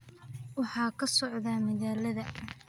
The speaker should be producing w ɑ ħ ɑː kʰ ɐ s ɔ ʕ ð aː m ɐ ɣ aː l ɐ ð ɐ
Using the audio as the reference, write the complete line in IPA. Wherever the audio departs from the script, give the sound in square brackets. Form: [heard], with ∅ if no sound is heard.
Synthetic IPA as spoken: w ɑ ħ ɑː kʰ ɐ s ɔ ʕ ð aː m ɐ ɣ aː l ɐ ð ɐ